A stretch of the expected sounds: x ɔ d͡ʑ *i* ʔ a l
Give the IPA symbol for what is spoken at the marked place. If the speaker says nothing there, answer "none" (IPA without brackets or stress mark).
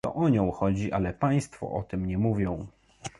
i